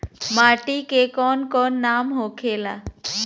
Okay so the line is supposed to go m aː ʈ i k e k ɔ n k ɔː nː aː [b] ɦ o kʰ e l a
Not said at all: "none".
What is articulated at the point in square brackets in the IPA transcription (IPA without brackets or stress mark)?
m